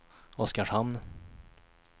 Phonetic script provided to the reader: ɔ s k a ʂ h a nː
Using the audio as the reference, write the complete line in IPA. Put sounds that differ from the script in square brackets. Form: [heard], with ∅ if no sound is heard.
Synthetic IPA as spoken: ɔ s k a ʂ h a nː